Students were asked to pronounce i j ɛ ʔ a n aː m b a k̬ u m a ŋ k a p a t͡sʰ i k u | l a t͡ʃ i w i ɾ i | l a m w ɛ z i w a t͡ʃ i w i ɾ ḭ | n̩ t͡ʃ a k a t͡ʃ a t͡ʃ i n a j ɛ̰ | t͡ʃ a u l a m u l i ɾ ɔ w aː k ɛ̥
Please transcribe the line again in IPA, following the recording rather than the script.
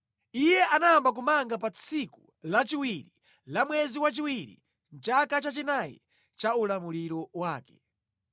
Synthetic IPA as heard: i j ɛ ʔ a n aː m b a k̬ u m a ŋ ɡ a p a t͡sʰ i k u | l a t͡ʃ i w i ɾ i | l a m w ɛ z i w a t͡ʃ i w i ɾ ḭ | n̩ t͡ʃ a k a t͡ʃ a t͡ʃ i n a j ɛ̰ | t͡ʃ a u l a m u l i ɾ ɔ w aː k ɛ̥